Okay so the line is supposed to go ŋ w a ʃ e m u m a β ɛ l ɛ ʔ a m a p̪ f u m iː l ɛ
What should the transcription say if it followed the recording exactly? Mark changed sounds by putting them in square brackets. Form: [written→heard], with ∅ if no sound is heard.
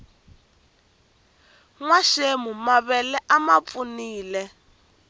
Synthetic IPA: ŋ w a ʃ e m u m a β ɛ l ɛ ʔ a m a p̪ f u [m→n] iː l ɛ